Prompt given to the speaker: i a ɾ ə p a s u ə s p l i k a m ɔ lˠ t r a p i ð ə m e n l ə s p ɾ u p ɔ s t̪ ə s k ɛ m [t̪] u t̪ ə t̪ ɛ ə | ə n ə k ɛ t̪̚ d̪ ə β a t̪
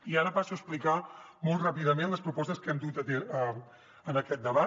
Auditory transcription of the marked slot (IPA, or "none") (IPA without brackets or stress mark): d̪